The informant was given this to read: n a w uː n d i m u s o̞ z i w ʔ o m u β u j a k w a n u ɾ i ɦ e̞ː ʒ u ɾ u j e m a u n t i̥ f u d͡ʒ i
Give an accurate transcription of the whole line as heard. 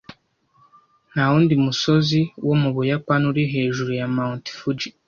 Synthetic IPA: n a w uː n d i m u s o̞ z i w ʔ o m u β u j a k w a n u ɾ i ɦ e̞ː ʒ u ɾ u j a m a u n t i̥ f u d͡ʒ i